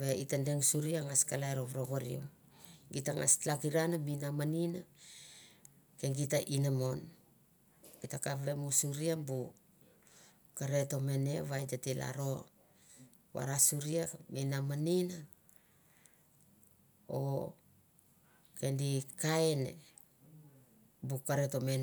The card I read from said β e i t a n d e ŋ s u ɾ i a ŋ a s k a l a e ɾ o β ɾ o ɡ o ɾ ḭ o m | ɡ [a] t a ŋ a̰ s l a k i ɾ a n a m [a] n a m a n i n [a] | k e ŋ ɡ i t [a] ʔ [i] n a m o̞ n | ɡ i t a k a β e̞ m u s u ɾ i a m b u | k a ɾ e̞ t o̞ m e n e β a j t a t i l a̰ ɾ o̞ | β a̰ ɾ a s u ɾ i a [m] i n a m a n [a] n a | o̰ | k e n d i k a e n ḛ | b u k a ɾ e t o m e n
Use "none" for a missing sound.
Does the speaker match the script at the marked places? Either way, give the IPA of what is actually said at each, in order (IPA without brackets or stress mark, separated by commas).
i, i, a, a, i, m, i